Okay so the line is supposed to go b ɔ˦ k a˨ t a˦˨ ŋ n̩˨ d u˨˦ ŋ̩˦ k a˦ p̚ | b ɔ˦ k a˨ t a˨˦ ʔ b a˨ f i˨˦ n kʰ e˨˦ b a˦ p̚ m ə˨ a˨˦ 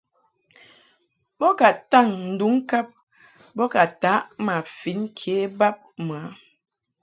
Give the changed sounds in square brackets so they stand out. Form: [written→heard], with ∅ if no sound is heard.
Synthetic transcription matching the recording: b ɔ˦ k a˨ t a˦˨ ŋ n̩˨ d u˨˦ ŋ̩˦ k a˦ p̚ | b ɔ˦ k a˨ t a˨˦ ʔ [b→m] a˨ f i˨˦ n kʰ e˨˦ b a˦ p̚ m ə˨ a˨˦